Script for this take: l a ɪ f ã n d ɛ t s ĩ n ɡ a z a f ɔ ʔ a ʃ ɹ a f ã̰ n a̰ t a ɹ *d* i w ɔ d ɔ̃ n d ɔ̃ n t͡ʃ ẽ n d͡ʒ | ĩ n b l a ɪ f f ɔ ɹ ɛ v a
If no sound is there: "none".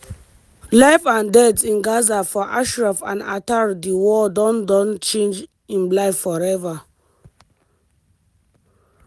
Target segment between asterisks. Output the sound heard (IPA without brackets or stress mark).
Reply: d